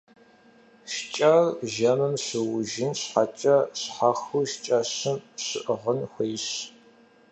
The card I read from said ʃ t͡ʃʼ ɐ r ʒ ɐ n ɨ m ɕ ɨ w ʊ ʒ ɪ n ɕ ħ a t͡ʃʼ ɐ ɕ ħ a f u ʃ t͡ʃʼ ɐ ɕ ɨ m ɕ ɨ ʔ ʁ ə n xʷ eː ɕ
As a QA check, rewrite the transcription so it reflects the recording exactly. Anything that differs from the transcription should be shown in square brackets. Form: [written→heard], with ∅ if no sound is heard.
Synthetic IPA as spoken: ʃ t͡ʃʼ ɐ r ʒ ɐ [n→m] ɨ m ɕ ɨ w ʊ ʒ ɪ n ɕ ħ a t͡ʃʼ ɐ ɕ ħ a [f→x] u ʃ t͡ʃʼ ɐ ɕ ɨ m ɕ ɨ ʔ ʁ ə n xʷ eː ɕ